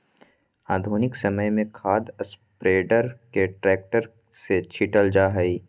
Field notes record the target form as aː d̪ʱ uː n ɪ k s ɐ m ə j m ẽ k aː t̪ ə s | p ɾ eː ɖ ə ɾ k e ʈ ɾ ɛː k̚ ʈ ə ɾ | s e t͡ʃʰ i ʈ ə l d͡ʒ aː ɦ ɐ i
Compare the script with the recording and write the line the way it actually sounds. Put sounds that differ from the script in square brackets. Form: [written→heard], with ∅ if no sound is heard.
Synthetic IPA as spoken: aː d̪ʱ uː n ɪ k s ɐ m ə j m ẽ [k→kʰ] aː [t̪→d̪] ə s | p ɾ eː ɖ ə ɾ k e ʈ ɾ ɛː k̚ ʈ ə ɾ | s e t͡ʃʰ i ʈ ə l d͡ʒ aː ɦ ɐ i